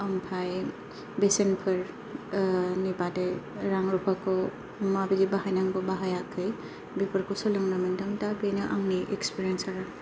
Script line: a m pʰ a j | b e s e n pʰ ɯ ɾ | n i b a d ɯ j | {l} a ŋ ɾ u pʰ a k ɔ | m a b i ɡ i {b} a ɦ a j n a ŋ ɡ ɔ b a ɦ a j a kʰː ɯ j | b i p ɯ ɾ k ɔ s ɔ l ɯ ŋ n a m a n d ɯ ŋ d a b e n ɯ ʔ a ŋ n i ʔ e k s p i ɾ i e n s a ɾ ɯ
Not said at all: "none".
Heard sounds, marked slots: ɾ, b

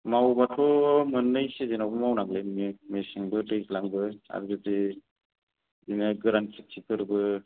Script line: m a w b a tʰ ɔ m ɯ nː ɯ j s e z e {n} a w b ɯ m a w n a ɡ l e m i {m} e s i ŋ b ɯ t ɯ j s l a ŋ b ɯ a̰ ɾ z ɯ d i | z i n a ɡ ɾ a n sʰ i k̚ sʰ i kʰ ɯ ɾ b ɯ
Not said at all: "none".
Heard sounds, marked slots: n, m

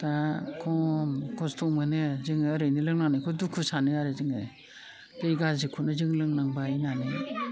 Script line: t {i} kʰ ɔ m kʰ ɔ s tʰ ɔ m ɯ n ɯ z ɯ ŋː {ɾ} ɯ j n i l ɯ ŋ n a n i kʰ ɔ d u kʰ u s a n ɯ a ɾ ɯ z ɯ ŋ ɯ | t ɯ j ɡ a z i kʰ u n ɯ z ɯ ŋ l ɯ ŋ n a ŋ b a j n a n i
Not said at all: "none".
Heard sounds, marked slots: a, ɾ

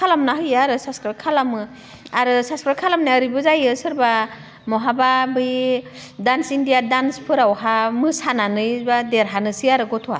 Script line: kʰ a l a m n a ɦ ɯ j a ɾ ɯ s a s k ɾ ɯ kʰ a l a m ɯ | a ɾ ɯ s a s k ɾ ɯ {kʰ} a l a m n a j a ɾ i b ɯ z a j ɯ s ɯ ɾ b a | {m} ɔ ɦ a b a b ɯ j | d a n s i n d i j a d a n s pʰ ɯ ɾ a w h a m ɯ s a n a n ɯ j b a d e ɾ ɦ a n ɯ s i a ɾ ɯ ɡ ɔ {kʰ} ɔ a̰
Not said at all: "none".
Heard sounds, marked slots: kʰ, m, tʰ

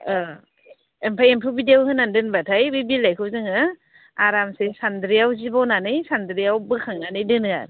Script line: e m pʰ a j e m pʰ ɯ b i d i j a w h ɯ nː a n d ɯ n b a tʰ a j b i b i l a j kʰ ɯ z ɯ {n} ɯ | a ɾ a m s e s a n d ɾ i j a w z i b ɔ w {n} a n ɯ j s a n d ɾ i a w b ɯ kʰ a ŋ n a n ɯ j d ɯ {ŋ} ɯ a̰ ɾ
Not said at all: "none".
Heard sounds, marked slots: ŋ, n, n

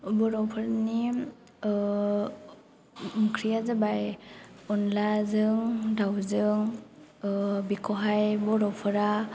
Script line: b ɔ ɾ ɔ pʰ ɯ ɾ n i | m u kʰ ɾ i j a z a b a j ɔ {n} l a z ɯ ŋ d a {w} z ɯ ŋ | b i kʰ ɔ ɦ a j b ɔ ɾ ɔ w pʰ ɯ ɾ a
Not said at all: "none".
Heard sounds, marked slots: n, w

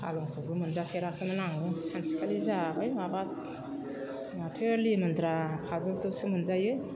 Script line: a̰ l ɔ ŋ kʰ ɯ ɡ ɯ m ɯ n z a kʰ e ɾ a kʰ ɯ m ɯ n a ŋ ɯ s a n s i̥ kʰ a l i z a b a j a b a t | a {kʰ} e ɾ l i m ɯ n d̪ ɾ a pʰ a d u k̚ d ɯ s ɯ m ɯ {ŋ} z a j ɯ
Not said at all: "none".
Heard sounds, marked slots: tʰ, n

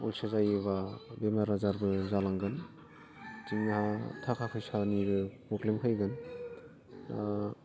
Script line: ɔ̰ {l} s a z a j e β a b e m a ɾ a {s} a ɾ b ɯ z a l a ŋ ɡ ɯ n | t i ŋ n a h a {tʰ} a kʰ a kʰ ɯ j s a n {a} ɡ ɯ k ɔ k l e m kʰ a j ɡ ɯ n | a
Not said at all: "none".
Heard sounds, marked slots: l, z, tʰ, i

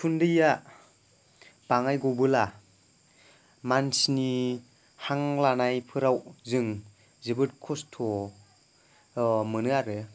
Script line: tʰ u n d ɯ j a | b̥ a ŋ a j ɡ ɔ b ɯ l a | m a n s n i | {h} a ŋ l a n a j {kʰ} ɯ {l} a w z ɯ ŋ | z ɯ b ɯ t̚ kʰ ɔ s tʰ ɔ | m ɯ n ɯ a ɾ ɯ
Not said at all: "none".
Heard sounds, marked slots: h, pʰ, ɾ

